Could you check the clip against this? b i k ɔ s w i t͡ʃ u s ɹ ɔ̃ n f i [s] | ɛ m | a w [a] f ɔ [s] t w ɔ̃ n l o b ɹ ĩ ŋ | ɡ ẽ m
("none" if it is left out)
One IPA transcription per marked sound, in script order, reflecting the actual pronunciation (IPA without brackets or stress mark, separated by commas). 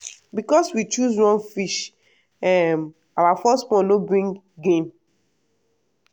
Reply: ʃ, a, s